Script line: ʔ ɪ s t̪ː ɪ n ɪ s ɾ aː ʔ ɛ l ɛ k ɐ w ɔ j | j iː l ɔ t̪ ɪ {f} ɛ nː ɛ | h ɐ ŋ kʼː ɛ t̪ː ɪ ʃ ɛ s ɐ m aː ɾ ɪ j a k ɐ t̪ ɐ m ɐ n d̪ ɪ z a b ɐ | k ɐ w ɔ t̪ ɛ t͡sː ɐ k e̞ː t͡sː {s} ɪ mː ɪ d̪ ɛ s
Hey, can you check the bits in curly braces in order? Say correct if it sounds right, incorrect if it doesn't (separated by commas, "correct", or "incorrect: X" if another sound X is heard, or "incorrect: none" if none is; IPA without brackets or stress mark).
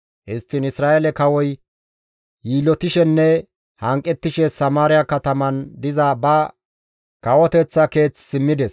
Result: incorrect: ʃ, correct